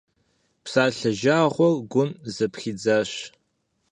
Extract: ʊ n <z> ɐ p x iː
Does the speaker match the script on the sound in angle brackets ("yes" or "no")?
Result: yes